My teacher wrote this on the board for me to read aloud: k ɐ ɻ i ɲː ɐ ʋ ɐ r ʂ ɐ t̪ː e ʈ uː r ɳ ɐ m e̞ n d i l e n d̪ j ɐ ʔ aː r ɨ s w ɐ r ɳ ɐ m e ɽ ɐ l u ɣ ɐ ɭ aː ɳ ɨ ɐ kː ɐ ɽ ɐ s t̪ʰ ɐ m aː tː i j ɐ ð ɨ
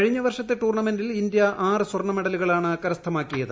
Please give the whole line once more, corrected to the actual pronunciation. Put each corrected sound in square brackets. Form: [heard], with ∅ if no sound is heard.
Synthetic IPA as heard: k ɐ ɻ i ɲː ɐ ʋ ɐ r ʂ ɐ t̪ː e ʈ uː r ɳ ɐ m e̞ n d i l [i] n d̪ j ɐ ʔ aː r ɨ s w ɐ r ɳ ɐ m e ɽ ɐ l u ɣ ɐ ɭ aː ɳ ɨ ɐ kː ɐ [ɾ] ɐ s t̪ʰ ɐ m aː [kː] i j ɐ ð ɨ